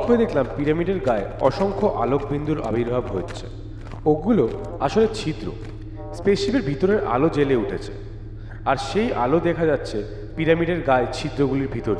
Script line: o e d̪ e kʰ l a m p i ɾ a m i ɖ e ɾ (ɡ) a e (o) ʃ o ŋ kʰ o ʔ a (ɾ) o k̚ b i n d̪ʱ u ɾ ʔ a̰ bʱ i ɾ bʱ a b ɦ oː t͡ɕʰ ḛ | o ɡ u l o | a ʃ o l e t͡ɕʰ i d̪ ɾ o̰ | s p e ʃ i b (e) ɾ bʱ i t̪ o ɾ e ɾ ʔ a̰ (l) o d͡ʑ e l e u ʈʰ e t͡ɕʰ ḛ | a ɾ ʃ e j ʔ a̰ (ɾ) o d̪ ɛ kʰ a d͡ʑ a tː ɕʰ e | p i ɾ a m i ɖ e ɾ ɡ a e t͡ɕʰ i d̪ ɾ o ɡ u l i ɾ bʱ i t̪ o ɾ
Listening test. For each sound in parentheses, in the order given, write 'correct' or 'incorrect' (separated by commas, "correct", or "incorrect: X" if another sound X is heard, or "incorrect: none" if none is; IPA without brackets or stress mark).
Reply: correct, incorrect: ɔ, incorrect: l, correct, correct, incorrect: l